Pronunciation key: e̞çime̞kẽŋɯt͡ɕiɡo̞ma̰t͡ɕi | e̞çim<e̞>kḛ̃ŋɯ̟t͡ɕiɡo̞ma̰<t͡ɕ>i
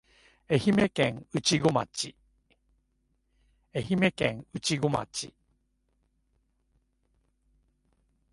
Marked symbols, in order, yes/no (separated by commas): yes, yes